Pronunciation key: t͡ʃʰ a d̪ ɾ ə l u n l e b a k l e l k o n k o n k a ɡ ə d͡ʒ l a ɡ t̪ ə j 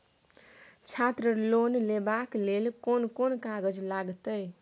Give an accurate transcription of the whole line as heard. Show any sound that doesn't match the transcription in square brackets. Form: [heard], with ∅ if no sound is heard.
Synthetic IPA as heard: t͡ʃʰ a [t̪] ɾ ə l [o] n l e b a k l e l k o n k o n k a ɡ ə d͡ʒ l a ɡ t̪ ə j